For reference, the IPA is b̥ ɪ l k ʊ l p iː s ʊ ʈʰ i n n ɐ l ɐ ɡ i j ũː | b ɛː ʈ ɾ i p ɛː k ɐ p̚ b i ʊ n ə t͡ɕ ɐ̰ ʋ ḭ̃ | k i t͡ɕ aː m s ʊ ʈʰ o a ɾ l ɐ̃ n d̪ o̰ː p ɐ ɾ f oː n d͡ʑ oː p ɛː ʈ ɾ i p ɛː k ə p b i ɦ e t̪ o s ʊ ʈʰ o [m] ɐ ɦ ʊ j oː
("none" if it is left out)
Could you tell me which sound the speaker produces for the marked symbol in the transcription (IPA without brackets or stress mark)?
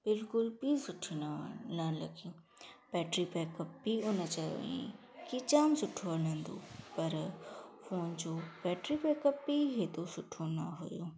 n